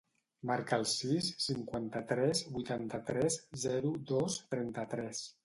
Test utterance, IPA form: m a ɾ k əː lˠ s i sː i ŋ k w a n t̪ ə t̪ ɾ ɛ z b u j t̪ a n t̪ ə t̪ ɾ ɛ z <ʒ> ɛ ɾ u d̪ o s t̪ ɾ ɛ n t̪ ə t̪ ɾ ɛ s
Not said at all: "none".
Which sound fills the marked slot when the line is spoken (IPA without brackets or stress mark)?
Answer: z